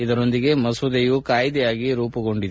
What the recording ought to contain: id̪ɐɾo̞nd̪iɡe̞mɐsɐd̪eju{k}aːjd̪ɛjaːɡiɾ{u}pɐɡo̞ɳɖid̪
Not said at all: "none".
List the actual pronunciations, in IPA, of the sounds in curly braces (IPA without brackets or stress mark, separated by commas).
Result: k, uː